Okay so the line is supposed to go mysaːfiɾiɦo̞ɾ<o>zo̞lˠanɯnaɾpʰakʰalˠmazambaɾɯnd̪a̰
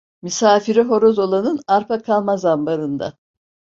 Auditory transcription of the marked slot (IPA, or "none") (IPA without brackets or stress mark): o